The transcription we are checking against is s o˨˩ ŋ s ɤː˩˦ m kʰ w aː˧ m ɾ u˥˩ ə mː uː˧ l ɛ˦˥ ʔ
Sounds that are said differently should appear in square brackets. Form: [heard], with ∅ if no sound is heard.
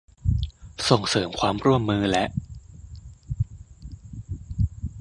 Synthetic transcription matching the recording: s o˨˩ ŋ s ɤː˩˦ m kʰ w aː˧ m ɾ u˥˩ ə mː [ɯː˧] l ɛ˦˥ ʔ

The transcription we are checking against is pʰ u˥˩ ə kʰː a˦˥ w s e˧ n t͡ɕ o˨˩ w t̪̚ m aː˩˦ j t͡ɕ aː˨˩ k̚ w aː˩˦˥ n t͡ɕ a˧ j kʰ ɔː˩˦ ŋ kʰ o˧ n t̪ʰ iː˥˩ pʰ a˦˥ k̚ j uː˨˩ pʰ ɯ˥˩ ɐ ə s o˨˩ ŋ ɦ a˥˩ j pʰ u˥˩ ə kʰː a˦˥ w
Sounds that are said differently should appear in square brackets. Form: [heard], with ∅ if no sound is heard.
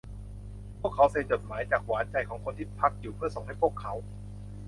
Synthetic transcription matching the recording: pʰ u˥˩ ə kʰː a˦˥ w s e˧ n t͡ɕ o˨˩ [∅] t̪̚ m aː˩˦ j t͡ɕ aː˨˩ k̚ w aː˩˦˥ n t͡ɕ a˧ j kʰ ɔː˩˦ ŋ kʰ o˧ n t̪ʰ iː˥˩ pʰ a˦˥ k̚ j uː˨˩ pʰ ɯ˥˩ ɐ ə s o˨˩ ŋ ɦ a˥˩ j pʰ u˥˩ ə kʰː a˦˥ w

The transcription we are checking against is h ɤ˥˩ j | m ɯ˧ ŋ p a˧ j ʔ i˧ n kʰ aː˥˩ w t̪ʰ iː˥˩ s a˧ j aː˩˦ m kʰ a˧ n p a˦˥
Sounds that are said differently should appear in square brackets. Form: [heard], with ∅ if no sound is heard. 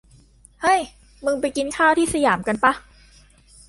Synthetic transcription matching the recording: h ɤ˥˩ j | m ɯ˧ ŋ p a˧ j [k] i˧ n kʰ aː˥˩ w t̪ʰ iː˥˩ s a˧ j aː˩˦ m [k] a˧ n p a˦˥

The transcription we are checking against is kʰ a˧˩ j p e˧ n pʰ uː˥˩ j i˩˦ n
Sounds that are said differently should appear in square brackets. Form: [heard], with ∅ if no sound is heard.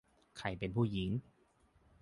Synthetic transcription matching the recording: kʰ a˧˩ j p e˧ n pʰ uː˥˩ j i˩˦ [ŋ]

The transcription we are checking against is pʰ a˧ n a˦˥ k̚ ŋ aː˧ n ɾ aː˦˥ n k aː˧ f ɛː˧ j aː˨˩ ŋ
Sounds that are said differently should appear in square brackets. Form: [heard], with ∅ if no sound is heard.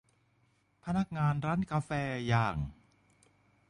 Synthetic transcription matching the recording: pʰ a˧ n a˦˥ k̚ ŋ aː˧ n ɾ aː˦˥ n k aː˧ f ɛː˧ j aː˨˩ ŋ

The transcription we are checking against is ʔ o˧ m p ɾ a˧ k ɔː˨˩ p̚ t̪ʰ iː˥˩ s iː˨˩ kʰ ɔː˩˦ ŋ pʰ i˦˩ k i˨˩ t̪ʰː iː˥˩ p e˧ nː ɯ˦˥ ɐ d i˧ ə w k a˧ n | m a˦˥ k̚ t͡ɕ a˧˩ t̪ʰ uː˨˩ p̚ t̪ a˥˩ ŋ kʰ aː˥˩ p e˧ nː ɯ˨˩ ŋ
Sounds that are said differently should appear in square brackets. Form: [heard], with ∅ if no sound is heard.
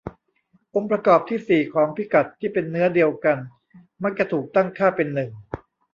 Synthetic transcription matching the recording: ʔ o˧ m p ɾ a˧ k ɔː˨˩ p̚ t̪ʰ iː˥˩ s iː˨˩ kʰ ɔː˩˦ ŋ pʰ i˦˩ k [a˨˩] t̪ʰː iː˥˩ p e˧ nː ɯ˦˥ ɐ d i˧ ə w k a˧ n | m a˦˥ k̚ t͡ɕ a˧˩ t̪ʰ uː˨˩ [k̚] t̪ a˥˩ ŋ kʰ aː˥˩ p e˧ nː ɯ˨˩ ŋ

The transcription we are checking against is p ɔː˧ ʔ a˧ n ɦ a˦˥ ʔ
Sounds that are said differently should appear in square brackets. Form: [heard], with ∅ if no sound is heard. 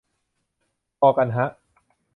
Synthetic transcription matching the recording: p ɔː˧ [k] a˧ n ɦ a˦˥ ʔ

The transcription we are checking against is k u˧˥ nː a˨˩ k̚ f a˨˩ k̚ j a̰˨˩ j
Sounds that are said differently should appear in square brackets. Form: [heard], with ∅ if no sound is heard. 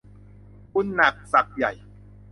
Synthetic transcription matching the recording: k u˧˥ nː a˨˩ k̚ [s] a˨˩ k̚ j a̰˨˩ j

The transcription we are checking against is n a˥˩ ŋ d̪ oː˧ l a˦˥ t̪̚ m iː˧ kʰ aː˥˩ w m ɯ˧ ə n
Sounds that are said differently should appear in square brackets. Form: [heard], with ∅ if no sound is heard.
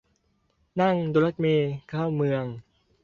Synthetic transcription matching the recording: n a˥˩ ŋ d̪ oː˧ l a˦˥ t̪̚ m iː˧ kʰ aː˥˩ w m ɯ˧ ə [ŋ]

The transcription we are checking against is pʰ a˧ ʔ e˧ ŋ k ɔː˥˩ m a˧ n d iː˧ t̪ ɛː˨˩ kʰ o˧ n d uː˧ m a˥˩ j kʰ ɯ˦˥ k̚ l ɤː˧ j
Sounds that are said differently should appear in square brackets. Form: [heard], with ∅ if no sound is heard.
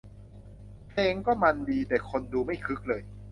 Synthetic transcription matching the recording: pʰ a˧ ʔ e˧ ŋ k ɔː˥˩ m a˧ n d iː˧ t̪ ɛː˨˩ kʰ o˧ n d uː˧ m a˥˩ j kʰ ɯ˦˥ k̚ l ɤː˧ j

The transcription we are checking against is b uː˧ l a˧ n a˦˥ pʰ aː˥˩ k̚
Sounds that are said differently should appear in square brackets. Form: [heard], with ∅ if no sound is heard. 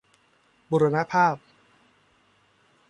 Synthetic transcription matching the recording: b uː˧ [ɾ] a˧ n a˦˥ pʰ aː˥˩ [p̚]

